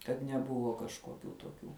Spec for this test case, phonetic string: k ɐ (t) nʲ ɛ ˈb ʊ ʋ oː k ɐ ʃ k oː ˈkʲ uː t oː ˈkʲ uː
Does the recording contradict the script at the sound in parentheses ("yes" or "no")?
no